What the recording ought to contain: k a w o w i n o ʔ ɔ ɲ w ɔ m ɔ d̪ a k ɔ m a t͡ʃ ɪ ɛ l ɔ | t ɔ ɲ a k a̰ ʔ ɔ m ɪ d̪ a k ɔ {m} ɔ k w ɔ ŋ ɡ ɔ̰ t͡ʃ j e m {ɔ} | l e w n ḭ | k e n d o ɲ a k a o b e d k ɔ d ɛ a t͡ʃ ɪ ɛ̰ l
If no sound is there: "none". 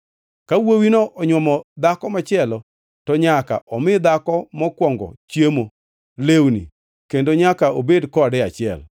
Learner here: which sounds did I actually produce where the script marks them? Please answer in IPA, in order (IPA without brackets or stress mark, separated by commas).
m, o